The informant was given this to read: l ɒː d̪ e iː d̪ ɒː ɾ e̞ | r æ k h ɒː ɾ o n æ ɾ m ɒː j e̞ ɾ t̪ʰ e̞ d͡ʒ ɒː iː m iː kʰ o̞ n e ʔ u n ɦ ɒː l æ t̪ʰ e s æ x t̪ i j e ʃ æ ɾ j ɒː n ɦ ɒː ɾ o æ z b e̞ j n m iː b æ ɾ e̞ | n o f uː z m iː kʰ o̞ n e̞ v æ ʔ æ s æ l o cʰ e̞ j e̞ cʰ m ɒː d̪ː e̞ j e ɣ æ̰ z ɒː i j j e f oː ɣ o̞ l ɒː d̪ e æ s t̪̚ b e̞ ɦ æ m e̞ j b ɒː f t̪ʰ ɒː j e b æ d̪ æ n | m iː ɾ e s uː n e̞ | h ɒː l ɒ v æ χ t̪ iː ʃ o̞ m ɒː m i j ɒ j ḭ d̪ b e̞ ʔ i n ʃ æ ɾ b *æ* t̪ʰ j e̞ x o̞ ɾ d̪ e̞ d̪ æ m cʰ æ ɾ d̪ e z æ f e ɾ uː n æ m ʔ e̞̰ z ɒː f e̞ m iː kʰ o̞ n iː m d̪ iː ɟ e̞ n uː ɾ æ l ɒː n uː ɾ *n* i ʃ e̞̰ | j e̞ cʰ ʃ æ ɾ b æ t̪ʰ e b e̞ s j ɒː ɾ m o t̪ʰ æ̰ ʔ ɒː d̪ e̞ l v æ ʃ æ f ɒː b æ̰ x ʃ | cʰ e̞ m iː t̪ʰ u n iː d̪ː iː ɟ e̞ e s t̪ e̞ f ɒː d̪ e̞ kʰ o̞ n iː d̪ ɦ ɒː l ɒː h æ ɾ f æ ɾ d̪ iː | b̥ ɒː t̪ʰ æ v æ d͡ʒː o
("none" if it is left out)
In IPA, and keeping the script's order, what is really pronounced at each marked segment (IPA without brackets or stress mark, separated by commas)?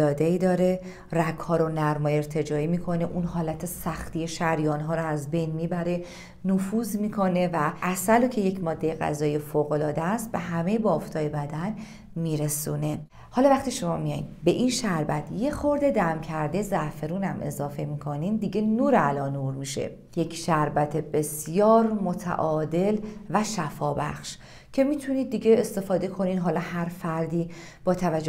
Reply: æ, m